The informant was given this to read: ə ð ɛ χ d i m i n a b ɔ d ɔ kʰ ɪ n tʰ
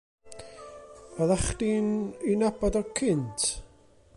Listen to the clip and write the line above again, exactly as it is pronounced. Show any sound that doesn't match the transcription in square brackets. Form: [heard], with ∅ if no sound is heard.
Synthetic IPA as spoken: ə ð [a] χ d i [n] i n a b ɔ d ɔ kʰ ɪ n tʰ